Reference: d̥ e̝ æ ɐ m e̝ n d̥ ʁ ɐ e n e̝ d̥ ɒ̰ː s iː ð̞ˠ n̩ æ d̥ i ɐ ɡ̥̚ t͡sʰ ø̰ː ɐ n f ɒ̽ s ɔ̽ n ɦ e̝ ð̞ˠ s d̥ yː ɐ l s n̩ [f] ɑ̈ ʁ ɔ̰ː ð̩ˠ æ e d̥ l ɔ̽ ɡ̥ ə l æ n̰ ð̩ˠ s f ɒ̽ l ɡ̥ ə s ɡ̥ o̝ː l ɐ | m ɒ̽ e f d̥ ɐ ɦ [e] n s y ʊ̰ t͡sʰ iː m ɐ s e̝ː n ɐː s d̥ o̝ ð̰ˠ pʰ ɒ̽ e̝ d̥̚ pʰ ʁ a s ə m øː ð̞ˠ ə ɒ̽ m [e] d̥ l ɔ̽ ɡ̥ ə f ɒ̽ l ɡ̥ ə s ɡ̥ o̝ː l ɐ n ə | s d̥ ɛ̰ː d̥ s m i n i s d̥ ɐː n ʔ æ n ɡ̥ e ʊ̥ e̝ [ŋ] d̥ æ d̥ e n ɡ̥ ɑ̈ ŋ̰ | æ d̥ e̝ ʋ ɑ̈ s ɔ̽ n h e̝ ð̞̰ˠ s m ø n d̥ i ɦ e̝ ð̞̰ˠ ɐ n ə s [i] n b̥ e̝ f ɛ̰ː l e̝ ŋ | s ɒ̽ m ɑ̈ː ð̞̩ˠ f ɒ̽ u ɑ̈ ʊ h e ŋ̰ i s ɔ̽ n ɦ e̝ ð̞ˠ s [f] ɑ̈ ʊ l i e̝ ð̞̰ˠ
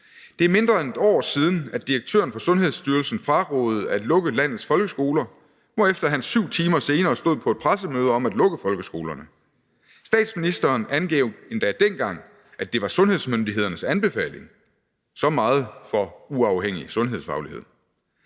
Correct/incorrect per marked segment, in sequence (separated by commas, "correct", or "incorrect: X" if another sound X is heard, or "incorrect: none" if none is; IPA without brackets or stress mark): correct, incorrect: æ, incorrect: æ, incorrect: n, incorrect: æ, correct